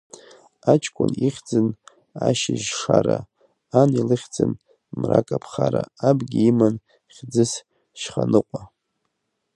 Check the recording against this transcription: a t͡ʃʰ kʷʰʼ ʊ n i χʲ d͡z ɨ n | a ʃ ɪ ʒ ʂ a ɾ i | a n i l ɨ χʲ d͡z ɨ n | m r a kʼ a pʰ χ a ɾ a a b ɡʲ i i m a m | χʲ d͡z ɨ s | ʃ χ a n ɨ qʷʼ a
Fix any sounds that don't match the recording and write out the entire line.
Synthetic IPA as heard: a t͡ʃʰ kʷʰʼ ʊ n i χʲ d͡z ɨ n | a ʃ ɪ ʒ ʂ a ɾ a | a n i l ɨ χʲ d͡z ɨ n | m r a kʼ a pʰ χ a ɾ a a b ɡʲ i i m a n | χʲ d͡z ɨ s | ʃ χ a n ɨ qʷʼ a